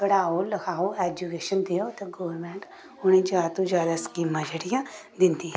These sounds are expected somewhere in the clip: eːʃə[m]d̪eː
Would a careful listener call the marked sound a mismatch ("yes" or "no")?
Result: yes